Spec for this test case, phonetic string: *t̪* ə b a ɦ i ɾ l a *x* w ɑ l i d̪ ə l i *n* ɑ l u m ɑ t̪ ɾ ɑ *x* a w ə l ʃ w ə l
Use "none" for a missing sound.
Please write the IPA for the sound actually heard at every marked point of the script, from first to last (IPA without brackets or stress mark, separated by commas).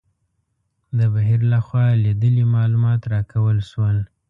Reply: d̪, x, m, k